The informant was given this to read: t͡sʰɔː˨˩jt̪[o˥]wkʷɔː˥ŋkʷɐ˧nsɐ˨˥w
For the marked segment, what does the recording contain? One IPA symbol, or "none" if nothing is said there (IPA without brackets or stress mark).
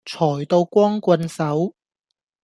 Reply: o˧